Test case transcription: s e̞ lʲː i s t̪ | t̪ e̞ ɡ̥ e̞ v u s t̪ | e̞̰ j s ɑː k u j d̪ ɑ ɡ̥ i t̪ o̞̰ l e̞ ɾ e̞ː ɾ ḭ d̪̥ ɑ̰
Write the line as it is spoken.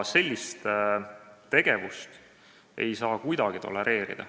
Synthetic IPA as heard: s e̞ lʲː i s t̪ | t̪ e̞ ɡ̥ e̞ v u s t̪ | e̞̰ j s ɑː k u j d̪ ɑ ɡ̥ i t̪ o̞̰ l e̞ ɾ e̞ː ɾ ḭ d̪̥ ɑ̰